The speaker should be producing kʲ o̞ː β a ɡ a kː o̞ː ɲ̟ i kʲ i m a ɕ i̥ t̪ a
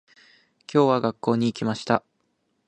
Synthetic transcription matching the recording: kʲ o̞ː β a ɡ a kː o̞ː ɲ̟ iː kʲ i m a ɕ i̥ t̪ a